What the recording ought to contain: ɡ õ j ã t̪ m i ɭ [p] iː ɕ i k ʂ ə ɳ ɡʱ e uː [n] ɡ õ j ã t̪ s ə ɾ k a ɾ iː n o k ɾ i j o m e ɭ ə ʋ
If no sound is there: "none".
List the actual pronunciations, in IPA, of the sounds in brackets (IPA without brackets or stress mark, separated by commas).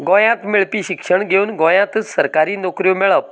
p, n